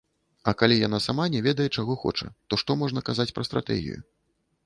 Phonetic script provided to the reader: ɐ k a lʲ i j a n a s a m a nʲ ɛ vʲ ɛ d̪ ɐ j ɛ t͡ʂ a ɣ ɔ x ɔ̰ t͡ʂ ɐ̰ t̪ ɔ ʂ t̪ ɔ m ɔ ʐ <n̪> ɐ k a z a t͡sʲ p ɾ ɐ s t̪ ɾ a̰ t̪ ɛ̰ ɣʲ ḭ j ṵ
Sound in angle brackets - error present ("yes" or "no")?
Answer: no